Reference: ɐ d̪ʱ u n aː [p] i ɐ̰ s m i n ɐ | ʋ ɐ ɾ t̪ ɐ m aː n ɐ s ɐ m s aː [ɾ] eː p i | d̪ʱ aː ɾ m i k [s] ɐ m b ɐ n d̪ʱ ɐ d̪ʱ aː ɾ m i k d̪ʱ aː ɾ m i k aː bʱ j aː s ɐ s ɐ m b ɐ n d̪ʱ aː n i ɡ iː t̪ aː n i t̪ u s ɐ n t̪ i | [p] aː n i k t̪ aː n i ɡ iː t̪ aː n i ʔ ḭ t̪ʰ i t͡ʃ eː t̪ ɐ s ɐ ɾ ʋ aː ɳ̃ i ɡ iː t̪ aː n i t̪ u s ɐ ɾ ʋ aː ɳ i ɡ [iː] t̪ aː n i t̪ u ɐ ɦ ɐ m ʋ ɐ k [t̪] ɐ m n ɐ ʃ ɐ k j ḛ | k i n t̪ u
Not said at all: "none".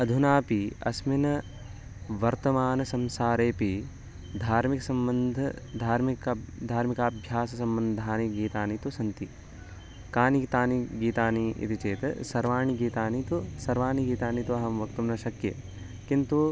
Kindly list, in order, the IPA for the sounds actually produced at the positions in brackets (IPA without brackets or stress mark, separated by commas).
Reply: p, ɾ, s, k, iː, t̪